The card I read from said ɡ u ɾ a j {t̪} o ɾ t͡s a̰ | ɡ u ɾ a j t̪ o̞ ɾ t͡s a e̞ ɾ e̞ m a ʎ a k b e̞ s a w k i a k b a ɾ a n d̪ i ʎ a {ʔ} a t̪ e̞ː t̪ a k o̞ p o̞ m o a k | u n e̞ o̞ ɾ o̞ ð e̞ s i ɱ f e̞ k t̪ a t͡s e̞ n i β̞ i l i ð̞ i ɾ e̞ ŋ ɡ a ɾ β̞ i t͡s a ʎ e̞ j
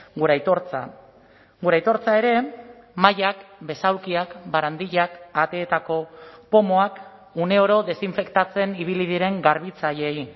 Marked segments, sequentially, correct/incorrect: correct, incorrect: k

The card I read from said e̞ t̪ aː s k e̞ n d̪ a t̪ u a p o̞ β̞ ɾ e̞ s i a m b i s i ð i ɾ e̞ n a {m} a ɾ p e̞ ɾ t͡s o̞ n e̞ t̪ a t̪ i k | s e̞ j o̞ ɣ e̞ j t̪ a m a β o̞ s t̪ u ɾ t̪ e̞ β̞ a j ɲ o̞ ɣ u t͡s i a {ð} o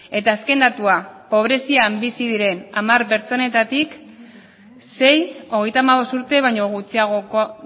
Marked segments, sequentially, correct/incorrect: correct, incorrect: ɣ

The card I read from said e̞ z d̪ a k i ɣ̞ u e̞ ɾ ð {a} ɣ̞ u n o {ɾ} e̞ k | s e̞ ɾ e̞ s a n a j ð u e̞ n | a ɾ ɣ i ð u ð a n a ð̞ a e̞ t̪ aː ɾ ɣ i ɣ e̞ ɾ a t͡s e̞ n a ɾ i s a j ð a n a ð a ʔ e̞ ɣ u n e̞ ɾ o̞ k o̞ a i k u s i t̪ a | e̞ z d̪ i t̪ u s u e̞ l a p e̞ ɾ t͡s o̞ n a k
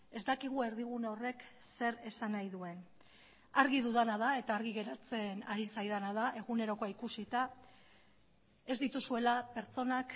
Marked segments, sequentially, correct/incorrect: incorrect: i, incorrect: r

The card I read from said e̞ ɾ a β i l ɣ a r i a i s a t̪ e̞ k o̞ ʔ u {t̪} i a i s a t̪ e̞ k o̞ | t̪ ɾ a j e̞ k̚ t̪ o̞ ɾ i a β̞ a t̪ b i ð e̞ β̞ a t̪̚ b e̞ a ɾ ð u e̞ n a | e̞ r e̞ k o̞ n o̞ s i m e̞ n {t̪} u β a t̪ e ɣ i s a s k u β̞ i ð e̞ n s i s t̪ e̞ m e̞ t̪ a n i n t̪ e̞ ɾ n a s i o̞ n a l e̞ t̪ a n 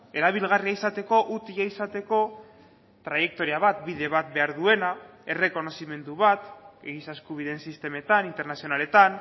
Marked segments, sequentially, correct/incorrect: correct, incorrect: d̪

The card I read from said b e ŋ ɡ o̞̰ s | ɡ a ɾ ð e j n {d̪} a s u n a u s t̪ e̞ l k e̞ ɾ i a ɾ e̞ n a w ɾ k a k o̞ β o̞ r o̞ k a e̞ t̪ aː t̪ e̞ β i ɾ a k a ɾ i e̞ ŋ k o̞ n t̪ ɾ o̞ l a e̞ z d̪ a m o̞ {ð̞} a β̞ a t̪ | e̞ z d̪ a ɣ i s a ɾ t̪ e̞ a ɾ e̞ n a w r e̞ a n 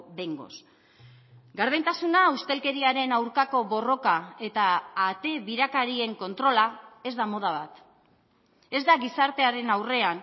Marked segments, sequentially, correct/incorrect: incorrect: t̪, correct

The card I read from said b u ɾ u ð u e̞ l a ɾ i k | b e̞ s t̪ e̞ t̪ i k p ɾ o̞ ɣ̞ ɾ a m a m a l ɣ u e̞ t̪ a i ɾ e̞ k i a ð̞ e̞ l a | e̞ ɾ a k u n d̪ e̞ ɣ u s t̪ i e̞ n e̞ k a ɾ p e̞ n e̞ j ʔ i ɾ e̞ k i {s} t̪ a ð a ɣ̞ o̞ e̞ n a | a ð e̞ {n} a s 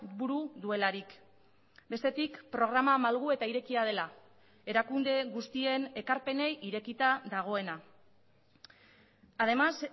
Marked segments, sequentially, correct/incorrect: incorrect: none, incorrect: m

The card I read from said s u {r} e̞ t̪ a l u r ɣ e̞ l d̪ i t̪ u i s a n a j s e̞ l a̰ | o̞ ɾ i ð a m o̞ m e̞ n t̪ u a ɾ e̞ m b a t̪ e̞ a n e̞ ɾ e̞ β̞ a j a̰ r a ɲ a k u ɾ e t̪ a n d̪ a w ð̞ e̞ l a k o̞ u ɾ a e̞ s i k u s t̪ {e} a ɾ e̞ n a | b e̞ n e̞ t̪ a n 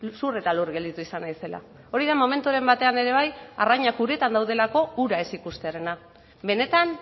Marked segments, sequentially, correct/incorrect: correct, correct

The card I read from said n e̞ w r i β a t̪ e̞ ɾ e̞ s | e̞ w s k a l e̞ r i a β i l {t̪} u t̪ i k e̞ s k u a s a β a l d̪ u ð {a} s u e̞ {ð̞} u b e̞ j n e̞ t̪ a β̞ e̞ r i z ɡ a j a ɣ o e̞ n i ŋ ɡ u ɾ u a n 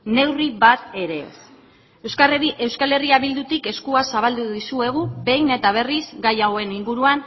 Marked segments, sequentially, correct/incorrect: incorrect: d̪, incorrect: i, incorrect: ɣ̞

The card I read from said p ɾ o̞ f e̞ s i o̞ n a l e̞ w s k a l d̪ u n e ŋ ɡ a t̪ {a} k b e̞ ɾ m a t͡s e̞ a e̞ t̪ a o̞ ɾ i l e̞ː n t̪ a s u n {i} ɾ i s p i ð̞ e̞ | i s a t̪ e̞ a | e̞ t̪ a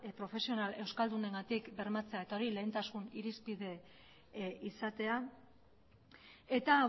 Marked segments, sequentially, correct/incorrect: incorrect: i, correct

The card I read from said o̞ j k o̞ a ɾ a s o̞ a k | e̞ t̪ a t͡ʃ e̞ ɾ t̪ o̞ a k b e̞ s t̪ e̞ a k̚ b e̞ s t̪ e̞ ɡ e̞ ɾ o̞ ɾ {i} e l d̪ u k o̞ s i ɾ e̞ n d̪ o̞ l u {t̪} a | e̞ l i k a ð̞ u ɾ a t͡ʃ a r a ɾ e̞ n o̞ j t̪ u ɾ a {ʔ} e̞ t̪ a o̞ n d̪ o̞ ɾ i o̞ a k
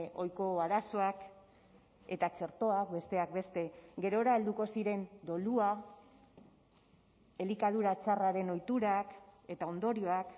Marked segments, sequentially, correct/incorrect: incorrect: a, incorrect: none, incorrect: k

